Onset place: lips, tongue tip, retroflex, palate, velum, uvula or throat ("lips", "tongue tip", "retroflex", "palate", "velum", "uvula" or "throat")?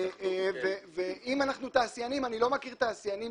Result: lips